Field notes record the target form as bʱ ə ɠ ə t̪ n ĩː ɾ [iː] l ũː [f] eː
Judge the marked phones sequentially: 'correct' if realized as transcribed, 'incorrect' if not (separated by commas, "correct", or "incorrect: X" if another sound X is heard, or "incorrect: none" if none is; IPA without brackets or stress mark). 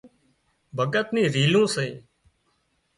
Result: correct, incorrect: s